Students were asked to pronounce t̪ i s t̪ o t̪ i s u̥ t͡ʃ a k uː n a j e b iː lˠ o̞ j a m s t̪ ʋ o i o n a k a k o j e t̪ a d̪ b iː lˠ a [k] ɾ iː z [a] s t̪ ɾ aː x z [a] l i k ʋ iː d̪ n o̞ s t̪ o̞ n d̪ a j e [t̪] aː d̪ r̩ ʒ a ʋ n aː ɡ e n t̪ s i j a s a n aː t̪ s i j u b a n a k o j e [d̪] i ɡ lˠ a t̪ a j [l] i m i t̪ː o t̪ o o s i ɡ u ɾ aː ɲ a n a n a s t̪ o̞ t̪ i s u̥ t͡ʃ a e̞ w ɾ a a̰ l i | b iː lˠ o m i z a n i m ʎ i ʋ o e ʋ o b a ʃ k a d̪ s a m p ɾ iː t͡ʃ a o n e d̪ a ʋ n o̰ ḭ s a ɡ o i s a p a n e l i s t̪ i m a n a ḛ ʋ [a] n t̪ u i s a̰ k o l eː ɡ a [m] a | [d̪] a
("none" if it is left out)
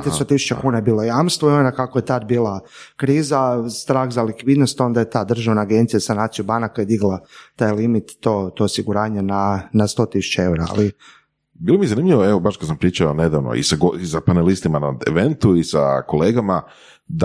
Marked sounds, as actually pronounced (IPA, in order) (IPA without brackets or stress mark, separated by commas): k, a, a, t̪, d̪, l, e, m, d̪